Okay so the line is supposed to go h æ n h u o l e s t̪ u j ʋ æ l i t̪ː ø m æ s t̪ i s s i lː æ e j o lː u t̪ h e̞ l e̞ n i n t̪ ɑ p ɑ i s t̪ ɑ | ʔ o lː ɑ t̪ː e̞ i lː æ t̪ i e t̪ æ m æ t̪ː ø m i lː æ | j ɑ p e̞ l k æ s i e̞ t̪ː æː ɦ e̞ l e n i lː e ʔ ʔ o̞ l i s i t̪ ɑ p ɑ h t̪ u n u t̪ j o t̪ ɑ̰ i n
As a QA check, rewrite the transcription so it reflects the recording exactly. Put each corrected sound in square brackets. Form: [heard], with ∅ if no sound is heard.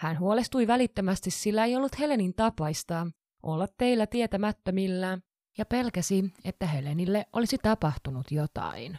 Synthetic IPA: h æ n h u o l e s t̪ u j ʋ æ l i t̪ː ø m æ s t̪ i s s i lː æ e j o lː u t̪ h e̞ l e̞ n i n t̪ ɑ p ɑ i s t̪ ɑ | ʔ o lː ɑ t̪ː e̞ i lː æ t̪ i e t̪ æ m æ t̪ː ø m i lː æ | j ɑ p e̞ l k æ s i e̞ t̪ː [æ] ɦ e̞ l e n i lː e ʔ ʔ o̞ l i s i t̪ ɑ p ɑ h t̪ u n u t̪ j o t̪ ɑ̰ i n